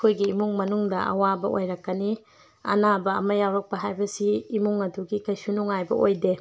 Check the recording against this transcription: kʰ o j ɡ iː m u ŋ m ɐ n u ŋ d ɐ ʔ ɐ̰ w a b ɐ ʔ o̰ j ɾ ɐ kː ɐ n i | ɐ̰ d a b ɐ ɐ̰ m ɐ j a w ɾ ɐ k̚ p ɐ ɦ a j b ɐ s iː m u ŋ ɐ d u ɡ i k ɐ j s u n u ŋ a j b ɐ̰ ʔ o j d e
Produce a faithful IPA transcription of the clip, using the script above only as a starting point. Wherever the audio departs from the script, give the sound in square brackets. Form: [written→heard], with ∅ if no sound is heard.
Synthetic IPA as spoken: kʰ o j ɡ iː m u ŋ m ɐ n u ŋ d ɐ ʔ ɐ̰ w a b ɐ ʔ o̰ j ɾ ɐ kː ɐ n i | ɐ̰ [d→n] a b ɐ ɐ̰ m ɐ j a w ɾ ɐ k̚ p ɐ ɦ a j b ɐ s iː m u ŋ ɐ d u ɡ i k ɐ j s u n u ŋ a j b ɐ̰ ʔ o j d e